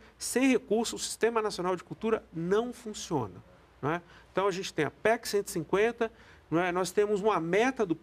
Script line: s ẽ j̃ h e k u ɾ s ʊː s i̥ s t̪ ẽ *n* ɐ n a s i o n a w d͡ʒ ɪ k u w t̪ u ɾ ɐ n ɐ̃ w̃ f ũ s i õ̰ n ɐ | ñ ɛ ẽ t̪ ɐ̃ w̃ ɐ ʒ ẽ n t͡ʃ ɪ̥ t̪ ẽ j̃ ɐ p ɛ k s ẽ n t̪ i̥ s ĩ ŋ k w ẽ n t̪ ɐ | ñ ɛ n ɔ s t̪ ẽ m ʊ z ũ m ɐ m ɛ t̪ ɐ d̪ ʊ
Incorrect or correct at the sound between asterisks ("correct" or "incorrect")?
incorrect